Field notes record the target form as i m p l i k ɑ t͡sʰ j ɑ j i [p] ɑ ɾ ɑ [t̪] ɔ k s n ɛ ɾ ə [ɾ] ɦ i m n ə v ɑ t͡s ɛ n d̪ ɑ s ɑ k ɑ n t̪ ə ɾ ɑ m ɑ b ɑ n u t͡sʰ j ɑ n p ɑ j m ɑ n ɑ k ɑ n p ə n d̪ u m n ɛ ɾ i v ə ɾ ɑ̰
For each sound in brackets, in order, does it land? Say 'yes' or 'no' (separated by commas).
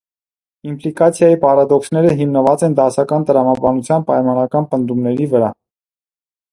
yes, no, no